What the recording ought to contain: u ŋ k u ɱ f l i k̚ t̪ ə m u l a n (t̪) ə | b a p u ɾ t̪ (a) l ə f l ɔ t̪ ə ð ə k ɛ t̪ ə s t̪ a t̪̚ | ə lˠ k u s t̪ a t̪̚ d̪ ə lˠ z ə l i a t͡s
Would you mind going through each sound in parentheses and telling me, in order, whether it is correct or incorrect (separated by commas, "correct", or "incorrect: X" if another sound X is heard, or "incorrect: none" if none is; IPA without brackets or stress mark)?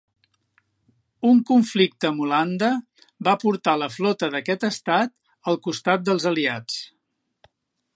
incorrect: d̪, correct